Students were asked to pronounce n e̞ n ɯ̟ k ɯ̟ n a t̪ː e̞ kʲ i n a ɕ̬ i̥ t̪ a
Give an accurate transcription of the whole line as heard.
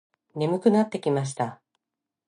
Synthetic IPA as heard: n e̞ m ɯ̟ k ɯ̟ n a t̪ː e̞ kʲ i m a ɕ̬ i̥ t̪ a